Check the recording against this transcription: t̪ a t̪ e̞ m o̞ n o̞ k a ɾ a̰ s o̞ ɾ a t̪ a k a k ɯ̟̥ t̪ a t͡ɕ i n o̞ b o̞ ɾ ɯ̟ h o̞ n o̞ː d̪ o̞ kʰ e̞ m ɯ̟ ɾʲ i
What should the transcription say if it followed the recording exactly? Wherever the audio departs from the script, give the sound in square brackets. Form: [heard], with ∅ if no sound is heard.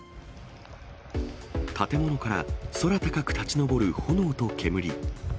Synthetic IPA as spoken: t̪ a t̪ e̞ m o̞ n o̞ k a ɾ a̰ s o̞ ɾ a t̪ a k a k ɯ̟̥ t̪ a t͡ɕ i n o̞ b o̞ ɾ ɯ̟ h o̞ n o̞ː [t̪] o̞ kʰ e̞ m ɯ̟ ɾʲ i